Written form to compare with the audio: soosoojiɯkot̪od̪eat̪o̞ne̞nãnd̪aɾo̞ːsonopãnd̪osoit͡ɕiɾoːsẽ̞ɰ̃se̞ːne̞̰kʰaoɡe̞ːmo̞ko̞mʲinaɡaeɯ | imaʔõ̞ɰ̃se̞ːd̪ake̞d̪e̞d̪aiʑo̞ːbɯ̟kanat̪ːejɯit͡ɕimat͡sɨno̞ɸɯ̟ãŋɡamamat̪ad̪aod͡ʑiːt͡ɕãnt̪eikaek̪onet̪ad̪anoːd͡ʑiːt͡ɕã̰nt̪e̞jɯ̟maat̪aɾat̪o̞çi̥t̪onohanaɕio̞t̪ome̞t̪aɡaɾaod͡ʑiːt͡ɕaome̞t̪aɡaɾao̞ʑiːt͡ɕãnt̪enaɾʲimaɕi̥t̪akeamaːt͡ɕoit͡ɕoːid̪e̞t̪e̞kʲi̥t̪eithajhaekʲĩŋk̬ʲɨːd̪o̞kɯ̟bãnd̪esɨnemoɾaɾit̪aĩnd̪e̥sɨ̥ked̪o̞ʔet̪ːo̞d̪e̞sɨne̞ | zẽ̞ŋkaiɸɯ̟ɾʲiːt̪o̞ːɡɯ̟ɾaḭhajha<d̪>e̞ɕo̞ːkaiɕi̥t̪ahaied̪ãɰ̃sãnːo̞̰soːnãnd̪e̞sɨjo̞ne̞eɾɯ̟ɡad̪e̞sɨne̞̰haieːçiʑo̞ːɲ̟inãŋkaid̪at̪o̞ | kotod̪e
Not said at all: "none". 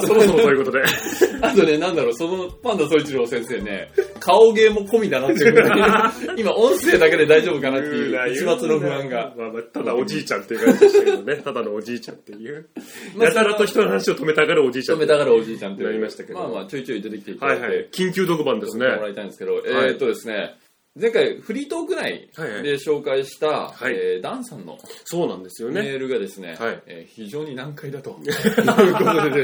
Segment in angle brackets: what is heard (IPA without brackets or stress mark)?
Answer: d̪